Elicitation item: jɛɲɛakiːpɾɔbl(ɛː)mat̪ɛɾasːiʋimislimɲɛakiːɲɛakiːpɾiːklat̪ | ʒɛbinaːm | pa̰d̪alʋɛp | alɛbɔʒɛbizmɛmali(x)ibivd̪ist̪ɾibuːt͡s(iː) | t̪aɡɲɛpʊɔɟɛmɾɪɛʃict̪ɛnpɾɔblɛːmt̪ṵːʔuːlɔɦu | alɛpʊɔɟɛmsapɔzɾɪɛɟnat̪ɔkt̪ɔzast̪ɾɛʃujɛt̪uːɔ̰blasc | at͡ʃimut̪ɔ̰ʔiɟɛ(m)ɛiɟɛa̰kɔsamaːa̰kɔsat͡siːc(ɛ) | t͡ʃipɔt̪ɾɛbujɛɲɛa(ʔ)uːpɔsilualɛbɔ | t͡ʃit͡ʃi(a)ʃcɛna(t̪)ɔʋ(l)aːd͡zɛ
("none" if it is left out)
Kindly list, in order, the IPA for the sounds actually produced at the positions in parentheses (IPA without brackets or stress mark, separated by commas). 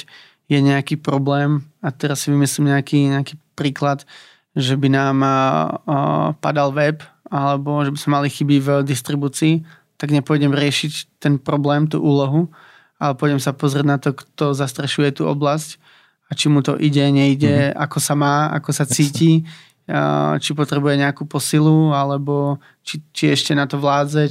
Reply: ɛː, x, iː, ɲ, i, k, ɛ, t̪, l